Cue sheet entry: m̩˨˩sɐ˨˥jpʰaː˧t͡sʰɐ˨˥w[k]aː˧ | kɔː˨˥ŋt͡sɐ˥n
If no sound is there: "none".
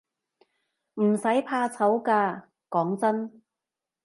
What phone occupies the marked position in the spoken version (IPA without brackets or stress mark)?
k